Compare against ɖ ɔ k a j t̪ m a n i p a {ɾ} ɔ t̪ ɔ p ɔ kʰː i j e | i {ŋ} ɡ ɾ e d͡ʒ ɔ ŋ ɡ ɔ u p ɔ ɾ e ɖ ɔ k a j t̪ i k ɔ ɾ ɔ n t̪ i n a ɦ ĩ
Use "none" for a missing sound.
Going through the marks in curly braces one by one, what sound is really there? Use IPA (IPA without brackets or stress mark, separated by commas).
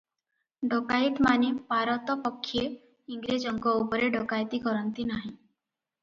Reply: ɾ, ŋ